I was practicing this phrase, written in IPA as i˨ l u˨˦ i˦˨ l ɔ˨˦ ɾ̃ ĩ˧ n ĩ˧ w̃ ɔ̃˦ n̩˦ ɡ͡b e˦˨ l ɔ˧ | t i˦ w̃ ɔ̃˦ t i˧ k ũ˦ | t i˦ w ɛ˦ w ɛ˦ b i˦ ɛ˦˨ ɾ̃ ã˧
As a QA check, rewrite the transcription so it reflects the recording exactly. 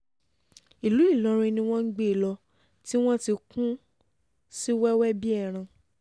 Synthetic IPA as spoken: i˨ l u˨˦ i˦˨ l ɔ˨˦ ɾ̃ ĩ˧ n ĩ˧ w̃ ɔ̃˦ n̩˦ ɡ͡b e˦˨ l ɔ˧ | t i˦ w̃ ɔ̃˦ t i˧ k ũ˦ | s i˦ w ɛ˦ w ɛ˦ b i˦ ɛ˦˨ ɾ̃ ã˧